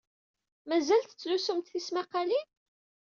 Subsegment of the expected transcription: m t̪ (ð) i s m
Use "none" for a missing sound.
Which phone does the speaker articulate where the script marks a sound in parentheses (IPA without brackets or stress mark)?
θ